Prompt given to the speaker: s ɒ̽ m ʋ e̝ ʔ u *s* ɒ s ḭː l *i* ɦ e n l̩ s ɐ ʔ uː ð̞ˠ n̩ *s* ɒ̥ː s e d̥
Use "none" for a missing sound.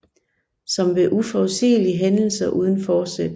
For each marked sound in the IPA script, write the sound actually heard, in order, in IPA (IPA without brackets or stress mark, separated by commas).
f, i, f